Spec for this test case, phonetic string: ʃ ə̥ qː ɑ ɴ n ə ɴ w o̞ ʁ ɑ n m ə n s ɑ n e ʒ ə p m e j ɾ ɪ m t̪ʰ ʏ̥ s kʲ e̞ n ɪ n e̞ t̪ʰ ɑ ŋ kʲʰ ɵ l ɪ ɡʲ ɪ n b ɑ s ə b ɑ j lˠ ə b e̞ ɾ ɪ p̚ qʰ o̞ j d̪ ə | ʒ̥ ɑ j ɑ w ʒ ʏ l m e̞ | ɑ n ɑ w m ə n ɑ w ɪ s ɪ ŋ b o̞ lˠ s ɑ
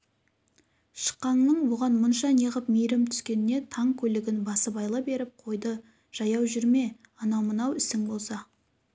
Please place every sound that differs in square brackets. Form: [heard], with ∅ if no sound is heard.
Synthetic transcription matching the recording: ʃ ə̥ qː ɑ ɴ n ə ɴ w o̞ ʁ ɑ n m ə n [ʃ] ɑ n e [ʁ] ə p m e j ɾ ɪ m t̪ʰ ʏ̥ s kʲ e̞ n ɪ n e̞ t̪ʰ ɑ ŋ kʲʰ ɵ l ɪ ɡʲ ɪ n b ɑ s ə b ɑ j lˠ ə b e̞ ɾ ɪ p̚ qʰ o̞ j d̪ ə | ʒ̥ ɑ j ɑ w ʒ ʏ [ɾ] m e̞ | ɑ n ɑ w m ə n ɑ w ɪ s ɪ ŋ b o̞ lˠ s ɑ